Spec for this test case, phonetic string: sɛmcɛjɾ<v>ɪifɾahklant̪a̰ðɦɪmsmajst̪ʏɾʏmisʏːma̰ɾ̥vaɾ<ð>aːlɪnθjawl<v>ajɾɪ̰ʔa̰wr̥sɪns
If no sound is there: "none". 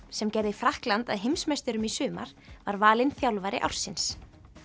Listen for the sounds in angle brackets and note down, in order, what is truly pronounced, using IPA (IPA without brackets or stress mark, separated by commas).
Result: ð, v, v